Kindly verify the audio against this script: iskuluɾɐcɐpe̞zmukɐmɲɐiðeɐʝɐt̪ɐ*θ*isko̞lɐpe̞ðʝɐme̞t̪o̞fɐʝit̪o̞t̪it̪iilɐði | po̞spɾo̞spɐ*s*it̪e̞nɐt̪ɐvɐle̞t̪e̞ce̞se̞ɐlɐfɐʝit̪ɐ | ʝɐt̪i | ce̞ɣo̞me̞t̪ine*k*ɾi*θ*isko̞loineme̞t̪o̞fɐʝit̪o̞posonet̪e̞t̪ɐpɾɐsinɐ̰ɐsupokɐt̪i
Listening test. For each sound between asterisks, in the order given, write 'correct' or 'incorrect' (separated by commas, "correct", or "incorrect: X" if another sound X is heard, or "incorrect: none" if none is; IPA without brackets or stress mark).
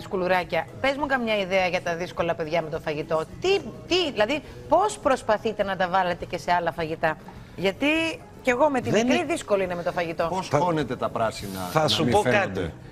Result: incorrect: ð, incorrect: θ, correct, incorrect: ð